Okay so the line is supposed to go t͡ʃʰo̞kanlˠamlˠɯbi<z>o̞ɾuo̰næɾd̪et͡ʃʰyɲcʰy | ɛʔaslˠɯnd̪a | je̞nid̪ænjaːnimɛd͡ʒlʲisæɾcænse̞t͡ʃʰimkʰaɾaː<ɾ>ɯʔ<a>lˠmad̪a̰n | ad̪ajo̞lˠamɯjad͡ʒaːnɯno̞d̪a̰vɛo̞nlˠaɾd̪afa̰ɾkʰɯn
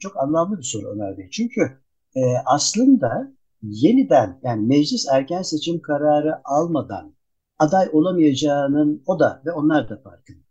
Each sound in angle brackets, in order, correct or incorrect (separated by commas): incorrect, correct, correct